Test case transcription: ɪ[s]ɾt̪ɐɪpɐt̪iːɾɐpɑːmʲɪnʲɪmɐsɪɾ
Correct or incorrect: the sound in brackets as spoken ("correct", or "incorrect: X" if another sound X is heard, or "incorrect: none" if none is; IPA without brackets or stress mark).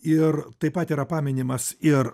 incorrect: none